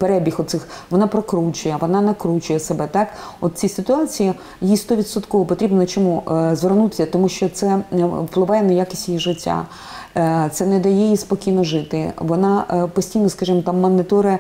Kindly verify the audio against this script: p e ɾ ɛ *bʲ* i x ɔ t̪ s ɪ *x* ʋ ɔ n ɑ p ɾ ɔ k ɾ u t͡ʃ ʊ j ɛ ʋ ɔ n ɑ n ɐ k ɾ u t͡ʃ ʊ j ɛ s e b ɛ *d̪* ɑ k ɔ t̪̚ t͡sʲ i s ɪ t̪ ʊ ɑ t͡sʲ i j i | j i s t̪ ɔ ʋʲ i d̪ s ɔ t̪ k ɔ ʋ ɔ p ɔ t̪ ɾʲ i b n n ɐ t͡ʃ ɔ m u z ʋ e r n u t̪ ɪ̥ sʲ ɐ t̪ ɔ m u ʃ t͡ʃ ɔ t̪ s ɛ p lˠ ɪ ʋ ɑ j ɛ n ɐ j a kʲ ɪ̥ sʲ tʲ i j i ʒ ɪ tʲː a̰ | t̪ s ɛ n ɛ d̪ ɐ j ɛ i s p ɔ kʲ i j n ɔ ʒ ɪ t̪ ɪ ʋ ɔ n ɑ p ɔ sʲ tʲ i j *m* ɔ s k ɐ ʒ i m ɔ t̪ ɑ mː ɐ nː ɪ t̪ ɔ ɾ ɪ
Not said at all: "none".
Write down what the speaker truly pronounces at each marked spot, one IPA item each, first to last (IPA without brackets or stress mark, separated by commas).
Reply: bʲ, x, t̪, n